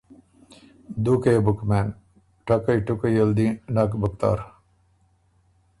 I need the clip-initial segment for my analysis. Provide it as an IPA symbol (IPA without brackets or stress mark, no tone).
d̪